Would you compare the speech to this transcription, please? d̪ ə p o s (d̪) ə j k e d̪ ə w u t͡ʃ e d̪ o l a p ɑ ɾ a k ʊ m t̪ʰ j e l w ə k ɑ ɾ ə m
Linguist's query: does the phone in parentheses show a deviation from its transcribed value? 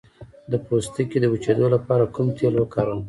yes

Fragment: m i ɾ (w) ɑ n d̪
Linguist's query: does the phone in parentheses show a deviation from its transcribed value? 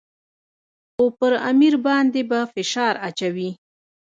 yes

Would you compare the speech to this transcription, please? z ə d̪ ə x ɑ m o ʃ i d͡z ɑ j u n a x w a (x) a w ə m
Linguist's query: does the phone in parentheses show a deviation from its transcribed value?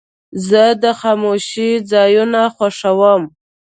yes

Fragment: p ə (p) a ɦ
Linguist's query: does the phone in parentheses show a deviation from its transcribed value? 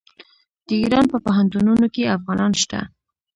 no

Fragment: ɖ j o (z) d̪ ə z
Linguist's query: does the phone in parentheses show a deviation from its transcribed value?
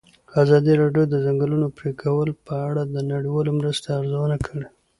yes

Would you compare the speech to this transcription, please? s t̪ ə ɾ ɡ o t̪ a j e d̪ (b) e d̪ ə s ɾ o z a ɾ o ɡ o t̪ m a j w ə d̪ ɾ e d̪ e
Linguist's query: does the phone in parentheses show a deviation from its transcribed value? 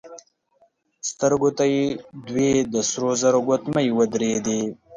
yes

